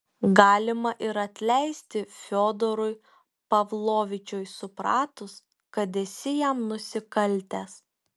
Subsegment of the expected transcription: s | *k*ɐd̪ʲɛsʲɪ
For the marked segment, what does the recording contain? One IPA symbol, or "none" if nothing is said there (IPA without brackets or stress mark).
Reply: k